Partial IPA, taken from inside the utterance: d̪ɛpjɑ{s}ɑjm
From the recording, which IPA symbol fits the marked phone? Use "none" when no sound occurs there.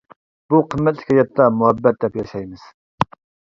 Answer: ʃ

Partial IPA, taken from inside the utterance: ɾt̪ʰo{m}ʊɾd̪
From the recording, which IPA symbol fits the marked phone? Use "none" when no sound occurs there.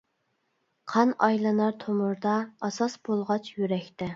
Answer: m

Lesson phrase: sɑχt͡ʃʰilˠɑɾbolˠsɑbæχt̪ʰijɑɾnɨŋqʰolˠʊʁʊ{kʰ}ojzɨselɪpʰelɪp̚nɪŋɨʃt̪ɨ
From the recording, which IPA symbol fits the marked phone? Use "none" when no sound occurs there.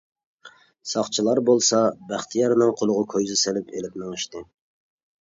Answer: kʰ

